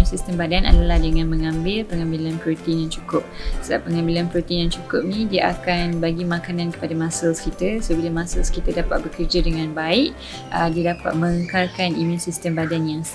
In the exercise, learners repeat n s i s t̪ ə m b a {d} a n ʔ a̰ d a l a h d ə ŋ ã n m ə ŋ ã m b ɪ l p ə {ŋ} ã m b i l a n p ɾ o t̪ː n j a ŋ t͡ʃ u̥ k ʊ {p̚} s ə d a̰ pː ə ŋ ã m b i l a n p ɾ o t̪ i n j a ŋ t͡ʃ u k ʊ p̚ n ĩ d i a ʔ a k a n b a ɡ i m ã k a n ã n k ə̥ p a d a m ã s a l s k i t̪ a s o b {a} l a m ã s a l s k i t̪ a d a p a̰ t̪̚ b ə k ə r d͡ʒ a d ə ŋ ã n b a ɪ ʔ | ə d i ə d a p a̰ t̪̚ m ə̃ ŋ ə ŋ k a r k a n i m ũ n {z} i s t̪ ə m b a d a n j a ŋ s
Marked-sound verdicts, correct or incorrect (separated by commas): correct, correct, correct, incorrect, incorrect